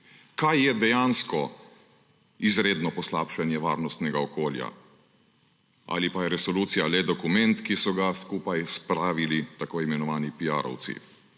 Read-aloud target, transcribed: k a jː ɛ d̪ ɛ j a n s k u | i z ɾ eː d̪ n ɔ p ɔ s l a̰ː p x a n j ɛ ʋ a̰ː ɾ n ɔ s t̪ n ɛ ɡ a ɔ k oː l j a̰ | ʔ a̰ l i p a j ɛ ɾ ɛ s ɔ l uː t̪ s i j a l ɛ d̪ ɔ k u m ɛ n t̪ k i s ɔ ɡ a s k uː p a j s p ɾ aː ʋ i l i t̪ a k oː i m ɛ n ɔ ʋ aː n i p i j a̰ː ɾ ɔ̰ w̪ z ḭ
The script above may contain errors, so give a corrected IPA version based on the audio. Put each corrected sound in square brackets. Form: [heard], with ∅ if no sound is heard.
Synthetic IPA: k a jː ɛ d̪ ɛ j a n s k [ɔ] | i z ɾ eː d̪ n ɔ p ɔ s l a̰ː p [ʃ] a n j ɛ ʋ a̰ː ɾ n ɔ s t̪ n ɛ ɡ a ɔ k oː l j a̰ | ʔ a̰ l i p a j ɛ ɾ ɛ s ɔ l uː t̪ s i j a l ɛ d̪ ɔ k u m ɛ n t̪ k i s ɔ ɡ a s k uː p a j s p ɾ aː ʋ i l i t̪ a k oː i m ɛ n ɔ ʋ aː n i p i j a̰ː ɾ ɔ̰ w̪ [s] ḭ